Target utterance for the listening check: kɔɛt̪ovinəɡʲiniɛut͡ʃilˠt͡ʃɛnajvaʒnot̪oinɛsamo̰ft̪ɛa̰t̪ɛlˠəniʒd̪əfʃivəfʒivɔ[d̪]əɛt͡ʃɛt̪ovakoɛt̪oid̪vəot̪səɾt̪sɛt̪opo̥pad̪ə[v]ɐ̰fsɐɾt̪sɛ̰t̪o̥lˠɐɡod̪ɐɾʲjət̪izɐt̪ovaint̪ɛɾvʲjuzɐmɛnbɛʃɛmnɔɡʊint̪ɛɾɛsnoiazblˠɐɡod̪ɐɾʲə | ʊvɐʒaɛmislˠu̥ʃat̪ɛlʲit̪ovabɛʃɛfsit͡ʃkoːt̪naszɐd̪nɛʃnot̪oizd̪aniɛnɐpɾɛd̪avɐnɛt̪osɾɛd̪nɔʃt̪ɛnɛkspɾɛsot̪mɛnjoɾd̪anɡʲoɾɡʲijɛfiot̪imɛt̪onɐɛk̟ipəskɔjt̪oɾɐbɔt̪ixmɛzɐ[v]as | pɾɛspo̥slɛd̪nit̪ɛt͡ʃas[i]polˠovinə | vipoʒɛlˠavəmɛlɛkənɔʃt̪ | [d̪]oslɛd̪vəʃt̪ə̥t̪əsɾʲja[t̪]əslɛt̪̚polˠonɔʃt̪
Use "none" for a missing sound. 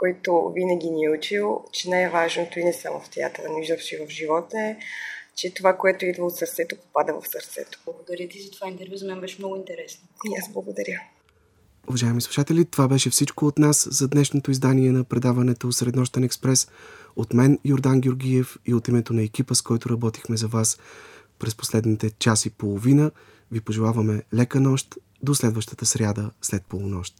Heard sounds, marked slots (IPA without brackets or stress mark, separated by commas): t̪, v, v, i, d̪, d̪